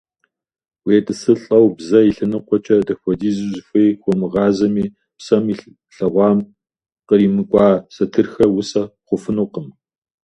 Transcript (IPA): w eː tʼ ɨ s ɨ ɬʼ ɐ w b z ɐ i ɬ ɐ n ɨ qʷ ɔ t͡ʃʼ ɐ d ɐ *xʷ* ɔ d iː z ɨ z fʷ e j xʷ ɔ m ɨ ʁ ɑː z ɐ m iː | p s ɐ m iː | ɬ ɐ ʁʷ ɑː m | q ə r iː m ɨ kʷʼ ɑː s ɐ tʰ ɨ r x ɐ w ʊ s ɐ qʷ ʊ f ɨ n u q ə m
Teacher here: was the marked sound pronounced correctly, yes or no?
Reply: yes